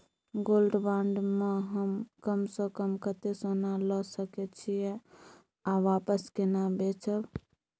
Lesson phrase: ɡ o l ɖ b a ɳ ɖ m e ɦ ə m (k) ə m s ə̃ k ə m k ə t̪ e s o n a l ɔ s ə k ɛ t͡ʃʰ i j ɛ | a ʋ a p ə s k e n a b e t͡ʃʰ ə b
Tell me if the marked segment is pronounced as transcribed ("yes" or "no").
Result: yes